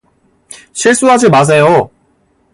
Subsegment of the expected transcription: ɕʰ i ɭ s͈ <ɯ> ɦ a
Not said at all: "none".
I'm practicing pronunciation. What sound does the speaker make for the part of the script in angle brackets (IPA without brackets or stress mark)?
u